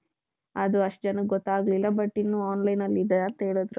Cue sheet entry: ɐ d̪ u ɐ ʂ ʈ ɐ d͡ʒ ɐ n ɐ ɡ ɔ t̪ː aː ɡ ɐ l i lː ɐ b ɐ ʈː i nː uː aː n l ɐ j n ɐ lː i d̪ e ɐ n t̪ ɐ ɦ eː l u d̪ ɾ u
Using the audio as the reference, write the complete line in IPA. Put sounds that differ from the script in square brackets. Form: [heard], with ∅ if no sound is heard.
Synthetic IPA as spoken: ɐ d̪ u ɐ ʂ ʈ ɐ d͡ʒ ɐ n ɐ ɡ ɔ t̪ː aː ɡ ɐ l i lː ɐ b ɐ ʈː i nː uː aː n l ɐ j n ɐ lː i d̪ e ɐ n t̪ ɐ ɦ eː [ɭ] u d̪ ɾ u